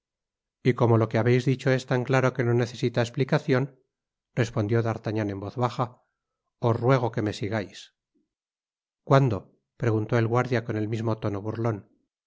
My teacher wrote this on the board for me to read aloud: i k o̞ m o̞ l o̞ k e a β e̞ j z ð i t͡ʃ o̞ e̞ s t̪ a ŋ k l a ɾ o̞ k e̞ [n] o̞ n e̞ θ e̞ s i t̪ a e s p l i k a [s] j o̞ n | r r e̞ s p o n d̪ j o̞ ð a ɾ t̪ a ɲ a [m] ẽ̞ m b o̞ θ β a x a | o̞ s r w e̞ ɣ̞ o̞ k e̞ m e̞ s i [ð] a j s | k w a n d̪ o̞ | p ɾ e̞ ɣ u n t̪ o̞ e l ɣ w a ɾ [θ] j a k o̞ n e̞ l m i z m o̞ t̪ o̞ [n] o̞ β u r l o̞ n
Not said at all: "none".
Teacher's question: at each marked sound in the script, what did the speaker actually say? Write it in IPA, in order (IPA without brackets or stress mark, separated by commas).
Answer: n, θ, n, ɣ, ð, n